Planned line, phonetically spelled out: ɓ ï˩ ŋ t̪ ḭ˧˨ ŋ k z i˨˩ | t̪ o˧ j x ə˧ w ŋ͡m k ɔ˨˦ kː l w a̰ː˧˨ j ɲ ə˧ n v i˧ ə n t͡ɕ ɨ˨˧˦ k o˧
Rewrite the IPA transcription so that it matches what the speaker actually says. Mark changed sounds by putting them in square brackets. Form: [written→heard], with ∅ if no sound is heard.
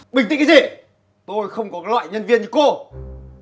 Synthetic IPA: ɓ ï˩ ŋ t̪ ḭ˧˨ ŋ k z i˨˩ | t̪ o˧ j x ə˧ w ŋ͡m k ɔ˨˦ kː l w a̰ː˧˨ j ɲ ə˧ n v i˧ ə n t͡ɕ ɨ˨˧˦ k o˧